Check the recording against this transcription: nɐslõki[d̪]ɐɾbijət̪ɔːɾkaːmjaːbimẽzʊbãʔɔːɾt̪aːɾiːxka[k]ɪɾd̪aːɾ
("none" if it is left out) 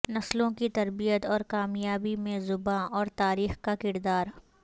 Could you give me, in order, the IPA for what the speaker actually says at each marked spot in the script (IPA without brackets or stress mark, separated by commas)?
t̪, k